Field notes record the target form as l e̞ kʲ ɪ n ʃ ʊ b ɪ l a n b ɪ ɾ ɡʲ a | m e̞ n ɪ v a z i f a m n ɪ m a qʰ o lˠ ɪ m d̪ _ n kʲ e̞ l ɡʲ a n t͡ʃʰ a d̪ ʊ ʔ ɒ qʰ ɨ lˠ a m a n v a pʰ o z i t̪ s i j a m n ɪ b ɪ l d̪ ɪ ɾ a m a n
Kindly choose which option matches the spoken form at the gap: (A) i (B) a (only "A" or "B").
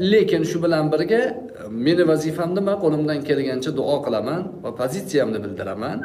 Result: B